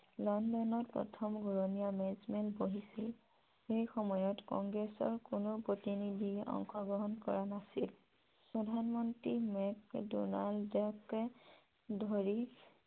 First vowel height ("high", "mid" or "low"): mid